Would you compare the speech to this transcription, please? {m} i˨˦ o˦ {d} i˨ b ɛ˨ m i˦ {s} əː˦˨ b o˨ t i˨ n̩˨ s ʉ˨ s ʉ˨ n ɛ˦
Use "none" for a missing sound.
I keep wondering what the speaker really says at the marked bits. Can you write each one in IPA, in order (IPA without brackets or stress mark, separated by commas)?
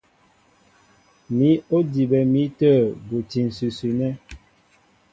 m, d, t